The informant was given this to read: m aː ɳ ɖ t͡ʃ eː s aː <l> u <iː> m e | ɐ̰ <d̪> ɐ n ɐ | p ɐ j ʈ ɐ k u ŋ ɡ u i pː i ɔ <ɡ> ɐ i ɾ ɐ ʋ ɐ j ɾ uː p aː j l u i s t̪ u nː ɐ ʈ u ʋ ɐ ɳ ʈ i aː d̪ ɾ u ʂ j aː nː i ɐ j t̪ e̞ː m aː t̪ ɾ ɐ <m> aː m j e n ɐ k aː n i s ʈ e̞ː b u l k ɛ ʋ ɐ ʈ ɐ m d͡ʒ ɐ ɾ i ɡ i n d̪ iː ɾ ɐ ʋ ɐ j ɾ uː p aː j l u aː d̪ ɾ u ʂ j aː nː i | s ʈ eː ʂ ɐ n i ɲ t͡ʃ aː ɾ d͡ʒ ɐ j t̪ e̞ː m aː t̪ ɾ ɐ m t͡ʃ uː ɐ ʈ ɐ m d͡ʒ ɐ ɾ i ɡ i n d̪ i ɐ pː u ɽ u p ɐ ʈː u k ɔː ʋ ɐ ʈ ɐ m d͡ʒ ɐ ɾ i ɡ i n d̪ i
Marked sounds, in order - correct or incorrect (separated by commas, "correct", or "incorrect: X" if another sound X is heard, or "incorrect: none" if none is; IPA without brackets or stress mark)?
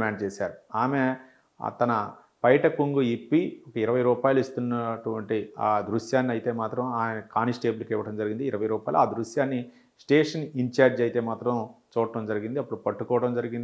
incorrect: ɾ, incorrect: aː, incorrect: t̪, incorrect: k, correct